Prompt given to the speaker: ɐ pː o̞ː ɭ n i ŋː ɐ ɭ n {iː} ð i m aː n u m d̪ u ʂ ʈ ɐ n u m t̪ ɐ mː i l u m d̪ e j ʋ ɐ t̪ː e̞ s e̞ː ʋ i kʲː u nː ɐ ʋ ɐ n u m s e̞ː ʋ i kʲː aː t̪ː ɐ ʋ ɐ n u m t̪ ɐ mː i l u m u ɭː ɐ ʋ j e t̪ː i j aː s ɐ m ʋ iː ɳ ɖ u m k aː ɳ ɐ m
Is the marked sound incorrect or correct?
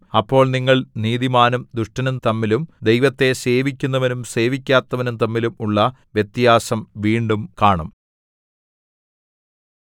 correct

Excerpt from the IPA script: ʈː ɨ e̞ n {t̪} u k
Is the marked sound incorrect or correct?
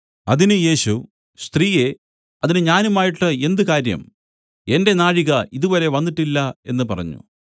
incorrect: d̪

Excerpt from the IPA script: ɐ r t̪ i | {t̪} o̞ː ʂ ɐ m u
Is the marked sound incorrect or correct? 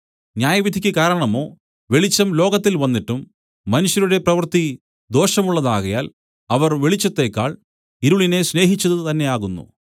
incorrect: d̪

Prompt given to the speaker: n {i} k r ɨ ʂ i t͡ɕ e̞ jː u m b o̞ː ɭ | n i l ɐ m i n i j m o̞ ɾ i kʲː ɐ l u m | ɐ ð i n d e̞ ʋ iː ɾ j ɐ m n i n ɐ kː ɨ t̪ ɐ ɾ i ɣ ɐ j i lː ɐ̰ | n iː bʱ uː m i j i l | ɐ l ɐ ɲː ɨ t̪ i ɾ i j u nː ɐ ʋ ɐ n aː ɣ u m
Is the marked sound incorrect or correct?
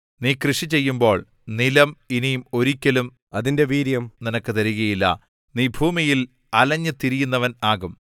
incorrect: iː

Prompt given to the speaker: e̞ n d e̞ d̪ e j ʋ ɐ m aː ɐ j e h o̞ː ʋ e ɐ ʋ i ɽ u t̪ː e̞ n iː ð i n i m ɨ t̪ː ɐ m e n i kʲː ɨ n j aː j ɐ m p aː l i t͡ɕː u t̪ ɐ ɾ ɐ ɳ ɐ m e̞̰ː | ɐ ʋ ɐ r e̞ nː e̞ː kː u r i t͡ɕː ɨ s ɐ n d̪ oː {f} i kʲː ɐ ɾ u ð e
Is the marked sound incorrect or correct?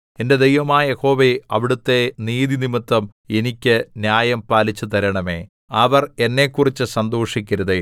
incorrect: ʂ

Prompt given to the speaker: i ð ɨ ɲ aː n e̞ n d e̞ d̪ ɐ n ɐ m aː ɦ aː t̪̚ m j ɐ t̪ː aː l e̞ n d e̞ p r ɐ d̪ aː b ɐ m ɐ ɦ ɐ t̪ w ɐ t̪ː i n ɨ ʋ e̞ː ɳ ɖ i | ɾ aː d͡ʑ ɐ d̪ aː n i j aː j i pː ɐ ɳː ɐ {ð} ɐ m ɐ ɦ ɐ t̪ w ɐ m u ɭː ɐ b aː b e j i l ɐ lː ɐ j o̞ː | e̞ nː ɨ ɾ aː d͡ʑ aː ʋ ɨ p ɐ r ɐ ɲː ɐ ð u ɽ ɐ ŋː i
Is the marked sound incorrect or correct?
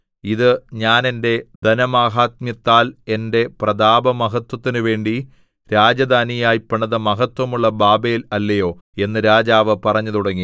correct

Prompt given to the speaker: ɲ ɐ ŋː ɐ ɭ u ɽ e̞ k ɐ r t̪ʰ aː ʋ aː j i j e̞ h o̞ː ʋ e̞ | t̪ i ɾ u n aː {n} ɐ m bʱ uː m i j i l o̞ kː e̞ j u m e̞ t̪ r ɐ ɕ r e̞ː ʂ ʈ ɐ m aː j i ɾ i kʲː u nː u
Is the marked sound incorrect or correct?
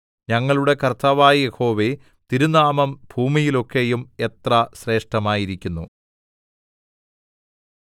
incorrect: m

